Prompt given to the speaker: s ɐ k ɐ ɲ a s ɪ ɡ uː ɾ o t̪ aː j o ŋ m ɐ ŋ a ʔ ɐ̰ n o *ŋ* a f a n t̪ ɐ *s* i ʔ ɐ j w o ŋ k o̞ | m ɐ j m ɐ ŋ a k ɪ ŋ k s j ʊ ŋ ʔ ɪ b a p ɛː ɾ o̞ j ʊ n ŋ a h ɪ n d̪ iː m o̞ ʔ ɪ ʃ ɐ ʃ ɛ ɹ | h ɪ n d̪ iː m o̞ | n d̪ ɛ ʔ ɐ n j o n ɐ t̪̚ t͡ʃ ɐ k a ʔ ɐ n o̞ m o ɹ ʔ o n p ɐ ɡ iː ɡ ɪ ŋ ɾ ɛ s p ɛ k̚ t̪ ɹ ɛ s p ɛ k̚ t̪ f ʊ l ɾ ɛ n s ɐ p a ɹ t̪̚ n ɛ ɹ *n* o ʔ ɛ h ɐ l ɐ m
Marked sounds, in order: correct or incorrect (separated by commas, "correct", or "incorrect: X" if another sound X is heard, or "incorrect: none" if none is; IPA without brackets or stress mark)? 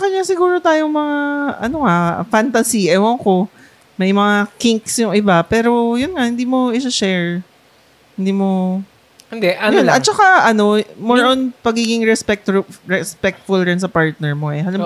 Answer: correct, correct, incorrect: m